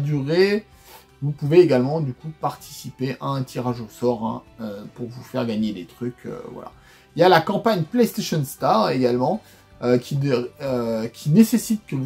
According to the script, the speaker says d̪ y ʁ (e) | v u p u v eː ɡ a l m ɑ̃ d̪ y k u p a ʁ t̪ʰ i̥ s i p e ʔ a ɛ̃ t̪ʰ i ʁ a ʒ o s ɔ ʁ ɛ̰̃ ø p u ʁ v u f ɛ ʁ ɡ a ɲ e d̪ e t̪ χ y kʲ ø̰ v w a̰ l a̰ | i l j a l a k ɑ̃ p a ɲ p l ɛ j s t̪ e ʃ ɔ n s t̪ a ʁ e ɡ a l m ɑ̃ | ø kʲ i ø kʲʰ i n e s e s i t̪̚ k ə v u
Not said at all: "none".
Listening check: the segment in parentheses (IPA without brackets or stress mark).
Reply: e